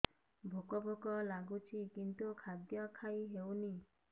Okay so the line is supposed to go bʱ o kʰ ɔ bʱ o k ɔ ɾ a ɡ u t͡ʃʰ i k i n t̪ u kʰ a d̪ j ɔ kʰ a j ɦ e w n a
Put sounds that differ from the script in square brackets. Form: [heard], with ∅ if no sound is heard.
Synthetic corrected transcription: bʱ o [k] ɔ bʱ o k ɔ [l] a ɡ u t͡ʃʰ i k i n t̪ u kʰ a d̪ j ɔ kʰ a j ɦ e w n [i]